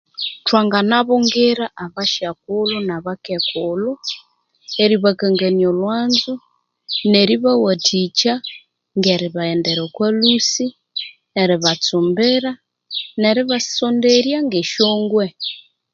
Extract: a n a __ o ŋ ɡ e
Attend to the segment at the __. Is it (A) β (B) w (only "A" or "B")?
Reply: A